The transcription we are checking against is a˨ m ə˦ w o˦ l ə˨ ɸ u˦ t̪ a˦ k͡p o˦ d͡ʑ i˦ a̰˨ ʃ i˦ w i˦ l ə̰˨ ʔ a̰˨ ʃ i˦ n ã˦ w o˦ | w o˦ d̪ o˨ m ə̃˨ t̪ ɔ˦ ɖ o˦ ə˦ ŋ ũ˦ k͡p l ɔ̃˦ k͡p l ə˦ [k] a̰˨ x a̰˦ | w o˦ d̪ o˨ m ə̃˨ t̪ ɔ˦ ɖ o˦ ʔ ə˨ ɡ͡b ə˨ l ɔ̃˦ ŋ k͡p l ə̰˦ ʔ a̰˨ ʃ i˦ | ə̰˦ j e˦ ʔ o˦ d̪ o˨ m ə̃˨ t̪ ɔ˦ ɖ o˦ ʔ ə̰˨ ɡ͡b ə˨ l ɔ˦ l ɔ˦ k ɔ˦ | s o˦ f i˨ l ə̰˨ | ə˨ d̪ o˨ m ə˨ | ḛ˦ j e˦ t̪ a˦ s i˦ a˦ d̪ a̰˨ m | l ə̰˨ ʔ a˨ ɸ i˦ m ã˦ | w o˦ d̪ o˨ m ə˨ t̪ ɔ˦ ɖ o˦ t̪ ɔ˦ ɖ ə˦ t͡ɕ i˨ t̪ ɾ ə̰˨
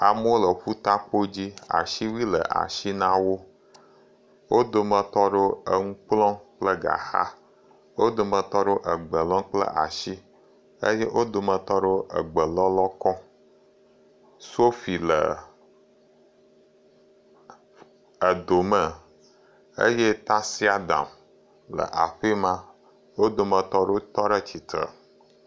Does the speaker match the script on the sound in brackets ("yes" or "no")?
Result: no